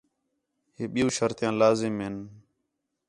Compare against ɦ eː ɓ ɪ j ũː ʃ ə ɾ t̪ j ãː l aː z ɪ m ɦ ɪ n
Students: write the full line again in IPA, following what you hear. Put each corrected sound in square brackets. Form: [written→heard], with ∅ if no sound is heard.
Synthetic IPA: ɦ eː ɓ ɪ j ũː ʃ ə ɾ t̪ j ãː l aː z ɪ m ɦ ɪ n